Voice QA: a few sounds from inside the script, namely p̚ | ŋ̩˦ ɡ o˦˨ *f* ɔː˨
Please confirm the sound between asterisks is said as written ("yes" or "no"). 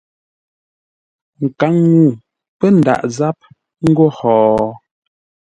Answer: no